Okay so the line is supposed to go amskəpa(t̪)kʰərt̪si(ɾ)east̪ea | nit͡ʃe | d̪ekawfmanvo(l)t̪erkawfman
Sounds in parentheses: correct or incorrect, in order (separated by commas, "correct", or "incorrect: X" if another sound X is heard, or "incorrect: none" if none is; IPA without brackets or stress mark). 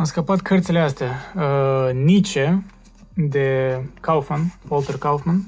correct, incorrect: l, correct